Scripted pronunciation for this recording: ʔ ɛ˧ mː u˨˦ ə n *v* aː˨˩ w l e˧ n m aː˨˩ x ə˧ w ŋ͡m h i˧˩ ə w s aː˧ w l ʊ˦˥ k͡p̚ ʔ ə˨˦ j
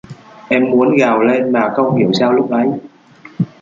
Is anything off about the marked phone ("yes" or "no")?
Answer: yes